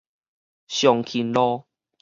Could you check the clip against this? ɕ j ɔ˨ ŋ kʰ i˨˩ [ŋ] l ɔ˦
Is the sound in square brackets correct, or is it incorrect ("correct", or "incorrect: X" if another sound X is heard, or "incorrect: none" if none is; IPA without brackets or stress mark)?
incorrect: n